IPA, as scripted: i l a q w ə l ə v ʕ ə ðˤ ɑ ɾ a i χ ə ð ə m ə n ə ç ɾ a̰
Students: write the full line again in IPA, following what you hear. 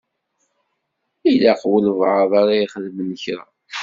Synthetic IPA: i l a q w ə l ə v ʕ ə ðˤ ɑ ɾ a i χ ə ð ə m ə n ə ç ɾ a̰

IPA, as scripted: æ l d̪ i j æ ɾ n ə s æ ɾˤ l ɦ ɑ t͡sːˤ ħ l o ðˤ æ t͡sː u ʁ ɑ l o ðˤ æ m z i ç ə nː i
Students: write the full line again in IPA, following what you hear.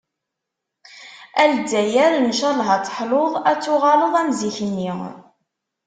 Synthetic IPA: æ l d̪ æ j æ ɾ n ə ʃ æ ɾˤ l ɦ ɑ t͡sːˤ ħ l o ðˤ æ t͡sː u ʁ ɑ l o ðˤ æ m z i ç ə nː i

